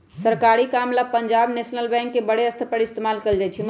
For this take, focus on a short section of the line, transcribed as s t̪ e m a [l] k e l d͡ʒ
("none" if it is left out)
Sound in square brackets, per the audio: l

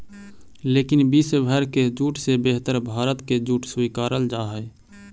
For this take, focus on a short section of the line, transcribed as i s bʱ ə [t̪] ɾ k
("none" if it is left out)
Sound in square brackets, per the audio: none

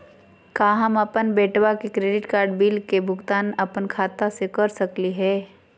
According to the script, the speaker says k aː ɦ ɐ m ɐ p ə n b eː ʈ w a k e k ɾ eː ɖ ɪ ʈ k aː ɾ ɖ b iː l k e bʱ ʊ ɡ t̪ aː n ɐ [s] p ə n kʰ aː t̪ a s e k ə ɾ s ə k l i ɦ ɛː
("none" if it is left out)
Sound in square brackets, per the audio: none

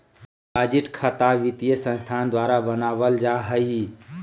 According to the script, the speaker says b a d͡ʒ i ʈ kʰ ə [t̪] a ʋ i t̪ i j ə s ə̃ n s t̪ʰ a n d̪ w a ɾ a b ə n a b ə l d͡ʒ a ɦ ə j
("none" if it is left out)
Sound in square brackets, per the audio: t̪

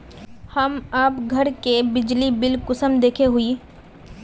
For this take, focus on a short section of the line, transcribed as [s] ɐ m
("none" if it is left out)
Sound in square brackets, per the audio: h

